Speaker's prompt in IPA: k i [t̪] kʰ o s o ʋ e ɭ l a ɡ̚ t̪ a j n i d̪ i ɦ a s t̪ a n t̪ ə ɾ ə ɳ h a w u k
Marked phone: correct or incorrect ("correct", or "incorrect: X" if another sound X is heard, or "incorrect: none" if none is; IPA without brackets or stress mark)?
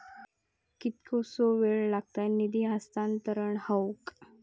correct